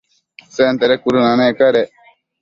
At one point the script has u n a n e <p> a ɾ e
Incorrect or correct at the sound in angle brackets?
incorrect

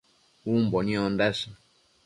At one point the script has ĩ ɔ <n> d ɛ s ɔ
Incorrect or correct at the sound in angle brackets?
correct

